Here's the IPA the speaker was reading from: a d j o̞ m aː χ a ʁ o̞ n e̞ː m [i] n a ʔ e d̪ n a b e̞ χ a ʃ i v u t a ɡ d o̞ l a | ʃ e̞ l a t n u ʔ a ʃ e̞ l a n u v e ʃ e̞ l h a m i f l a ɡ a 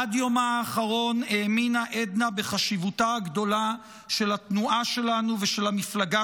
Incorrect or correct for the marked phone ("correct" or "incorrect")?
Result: correct